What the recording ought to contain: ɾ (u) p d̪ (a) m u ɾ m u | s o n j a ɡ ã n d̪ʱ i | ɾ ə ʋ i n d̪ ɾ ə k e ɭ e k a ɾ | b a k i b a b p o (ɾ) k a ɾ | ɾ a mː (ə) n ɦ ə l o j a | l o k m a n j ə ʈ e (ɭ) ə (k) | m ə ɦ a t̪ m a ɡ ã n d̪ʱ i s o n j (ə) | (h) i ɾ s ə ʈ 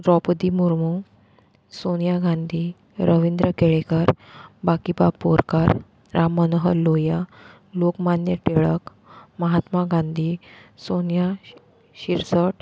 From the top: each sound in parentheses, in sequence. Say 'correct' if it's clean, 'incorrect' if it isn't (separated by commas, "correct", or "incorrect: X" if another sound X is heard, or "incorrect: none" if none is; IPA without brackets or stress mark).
incorrect: ɔ, incorrect: i, correct, correct, correct, correct, incorrect: a, incorrect: ɕ